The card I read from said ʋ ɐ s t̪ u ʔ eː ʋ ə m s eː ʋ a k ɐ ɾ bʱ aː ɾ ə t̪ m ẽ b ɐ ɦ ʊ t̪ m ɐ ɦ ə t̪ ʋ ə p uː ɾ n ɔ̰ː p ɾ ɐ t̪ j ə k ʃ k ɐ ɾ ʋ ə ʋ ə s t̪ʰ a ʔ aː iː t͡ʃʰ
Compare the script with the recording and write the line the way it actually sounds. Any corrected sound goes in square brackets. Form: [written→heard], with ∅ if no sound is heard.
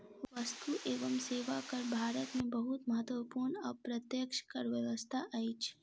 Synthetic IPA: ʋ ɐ s t̪ u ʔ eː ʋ ə m s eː ʋ a k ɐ ɾ bʱ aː ɾ ə t̪ m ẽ b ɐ ɦ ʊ t̪ m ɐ ɦ ə t̪ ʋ ə p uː ɾ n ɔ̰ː p ɾ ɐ t̪ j ə k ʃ k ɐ ɾ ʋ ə ʋ ə s t̪ʰ a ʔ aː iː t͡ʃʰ